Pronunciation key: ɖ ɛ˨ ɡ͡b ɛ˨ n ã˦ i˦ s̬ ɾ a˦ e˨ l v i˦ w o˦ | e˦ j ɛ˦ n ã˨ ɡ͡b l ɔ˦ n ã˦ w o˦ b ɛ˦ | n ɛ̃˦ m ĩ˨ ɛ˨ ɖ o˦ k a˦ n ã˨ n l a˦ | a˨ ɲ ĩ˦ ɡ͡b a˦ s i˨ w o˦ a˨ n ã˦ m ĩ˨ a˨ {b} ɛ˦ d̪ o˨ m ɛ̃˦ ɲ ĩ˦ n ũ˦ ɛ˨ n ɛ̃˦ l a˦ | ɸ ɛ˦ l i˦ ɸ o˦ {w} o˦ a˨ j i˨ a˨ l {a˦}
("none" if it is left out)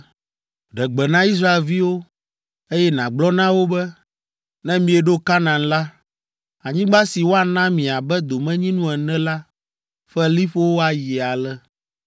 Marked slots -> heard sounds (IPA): b, w, ɛ˦

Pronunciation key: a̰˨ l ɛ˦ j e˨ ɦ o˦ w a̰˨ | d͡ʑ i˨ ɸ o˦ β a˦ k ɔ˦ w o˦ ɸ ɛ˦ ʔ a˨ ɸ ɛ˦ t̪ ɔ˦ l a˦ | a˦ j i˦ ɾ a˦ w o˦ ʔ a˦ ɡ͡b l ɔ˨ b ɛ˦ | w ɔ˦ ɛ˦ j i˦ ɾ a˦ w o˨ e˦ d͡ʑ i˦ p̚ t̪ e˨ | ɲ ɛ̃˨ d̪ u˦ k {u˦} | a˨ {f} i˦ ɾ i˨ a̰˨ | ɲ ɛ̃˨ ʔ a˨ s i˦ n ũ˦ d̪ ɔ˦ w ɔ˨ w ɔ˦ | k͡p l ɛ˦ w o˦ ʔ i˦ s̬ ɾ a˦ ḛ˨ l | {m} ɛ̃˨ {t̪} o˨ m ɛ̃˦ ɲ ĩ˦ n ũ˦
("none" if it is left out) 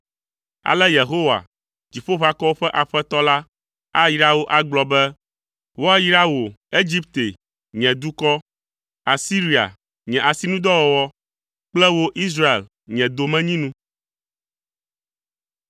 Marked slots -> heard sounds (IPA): ɔ˦, s, ɲ, d̪

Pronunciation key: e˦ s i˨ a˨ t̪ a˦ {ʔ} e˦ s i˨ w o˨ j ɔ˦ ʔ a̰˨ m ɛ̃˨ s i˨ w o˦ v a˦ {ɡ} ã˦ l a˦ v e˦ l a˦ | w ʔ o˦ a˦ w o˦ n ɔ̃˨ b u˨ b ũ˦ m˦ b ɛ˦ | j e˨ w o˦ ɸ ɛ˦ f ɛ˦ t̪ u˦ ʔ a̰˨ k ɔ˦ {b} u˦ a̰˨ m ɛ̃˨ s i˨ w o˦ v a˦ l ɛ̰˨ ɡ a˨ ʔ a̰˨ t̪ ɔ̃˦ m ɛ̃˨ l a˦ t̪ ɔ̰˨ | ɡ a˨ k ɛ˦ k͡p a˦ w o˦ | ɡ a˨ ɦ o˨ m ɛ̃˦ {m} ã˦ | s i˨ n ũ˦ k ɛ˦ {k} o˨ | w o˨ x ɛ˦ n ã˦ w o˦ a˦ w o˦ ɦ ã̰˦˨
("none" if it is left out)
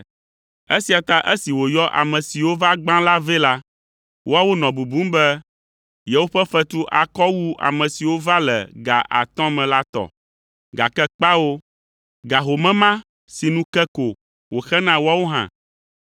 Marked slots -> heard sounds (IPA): ʔ, ɡ͡b, w, m, k

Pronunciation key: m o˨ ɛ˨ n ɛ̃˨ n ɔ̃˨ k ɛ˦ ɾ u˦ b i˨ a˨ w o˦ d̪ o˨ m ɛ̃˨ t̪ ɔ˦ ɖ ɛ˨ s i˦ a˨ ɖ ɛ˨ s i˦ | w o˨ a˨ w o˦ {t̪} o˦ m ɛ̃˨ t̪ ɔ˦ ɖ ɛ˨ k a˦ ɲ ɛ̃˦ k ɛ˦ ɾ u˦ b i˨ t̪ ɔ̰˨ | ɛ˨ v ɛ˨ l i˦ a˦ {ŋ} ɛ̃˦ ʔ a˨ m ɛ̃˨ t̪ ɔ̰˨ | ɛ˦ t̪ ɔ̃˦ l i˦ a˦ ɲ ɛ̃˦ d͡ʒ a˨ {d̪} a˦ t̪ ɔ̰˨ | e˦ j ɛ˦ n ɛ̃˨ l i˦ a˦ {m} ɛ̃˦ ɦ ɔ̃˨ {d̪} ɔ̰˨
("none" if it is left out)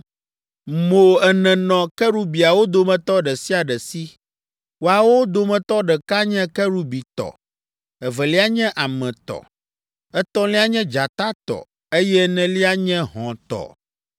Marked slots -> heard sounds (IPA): d̪, ɲ, t̪, ɲ, t̪

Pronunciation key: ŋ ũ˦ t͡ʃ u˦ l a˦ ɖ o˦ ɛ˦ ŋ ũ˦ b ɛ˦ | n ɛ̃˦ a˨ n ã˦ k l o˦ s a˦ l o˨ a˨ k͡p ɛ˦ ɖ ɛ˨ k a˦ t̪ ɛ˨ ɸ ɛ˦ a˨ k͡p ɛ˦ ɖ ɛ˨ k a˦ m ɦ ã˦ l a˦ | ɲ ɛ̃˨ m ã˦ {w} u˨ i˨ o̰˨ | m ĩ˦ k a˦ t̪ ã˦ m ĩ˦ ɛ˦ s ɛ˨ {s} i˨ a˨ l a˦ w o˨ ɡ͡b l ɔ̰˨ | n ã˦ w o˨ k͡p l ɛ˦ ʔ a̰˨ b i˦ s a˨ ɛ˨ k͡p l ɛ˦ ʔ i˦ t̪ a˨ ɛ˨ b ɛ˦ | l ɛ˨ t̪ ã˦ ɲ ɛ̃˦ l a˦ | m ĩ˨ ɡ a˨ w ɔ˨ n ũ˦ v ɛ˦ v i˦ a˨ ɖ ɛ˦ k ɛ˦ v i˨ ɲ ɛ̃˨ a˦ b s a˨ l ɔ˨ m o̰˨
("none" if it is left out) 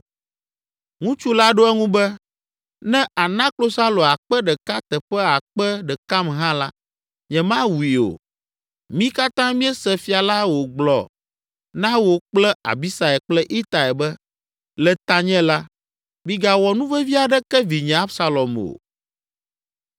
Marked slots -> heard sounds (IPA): w, f

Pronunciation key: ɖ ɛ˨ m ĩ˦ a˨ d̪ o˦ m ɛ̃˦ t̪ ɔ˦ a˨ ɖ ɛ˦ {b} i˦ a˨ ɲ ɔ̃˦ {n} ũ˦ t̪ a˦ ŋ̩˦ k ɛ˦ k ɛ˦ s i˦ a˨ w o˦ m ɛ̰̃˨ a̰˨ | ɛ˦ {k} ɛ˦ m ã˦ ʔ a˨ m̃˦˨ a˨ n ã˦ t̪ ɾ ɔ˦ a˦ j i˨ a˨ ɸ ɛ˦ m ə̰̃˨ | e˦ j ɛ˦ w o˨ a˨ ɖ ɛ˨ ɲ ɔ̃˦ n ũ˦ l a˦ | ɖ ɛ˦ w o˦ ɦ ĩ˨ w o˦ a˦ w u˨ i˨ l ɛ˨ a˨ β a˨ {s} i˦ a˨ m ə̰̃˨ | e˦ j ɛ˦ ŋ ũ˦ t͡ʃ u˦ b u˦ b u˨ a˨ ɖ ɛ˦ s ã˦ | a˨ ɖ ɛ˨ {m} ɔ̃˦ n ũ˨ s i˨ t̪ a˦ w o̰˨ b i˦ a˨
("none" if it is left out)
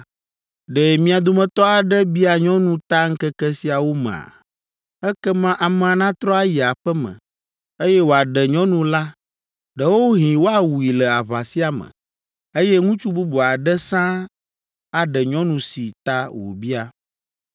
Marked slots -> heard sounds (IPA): b, n, k, s, ɲ

